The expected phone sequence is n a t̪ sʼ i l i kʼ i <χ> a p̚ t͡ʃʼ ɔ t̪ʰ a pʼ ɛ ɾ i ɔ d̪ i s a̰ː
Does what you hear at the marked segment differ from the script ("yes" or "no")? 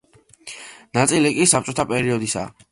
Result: yes